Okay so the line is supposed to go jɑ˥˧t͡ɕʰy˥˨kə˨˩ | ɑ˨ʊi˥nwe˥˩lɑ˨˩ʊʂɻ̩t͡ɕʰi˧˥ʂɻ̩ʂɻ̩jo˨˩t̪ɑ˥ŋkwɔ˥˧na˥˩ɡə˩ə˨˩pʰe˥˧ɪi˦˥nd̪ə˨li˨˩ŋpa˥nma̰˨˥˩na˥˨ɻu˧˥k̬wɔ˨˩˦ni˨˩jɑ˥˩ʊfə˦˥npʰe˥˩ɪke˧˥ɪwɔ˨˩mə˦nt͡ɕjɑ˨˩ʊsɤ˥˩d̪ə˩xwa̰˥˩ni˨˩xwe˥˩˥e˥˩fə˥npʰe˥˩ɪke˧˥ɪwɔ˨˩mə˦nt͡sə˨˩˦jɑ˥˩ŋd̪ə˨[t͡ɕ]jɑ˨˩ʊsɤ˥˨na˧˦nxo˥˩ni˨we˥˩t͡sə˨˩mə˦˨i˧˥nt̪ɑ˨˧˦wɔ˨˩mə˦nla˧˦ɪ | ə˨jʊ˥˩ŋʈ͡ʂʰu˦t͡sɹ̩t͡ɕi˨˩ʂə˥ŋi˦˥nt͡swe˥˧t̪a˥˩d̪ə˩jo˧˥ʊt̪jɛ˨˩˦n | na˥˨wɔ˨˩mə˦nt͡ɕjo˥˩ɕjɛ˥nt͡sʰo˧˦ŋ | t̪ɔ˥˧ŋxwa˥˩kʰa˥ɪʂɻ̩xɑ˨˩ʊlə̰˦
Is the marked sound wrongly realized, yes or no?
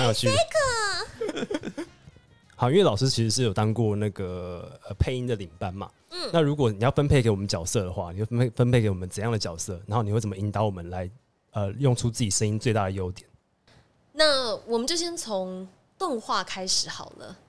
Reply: no